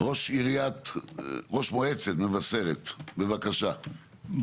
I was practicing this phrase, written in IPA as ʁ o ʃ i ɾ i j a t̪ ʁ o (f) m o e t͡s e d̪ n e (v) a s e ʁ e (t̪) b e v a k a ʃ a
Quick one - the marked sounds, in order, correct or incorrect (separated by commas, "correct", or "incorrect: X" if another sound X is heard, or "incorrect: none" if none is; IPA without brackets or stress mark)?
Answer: incorrect: ʃ, correct, correct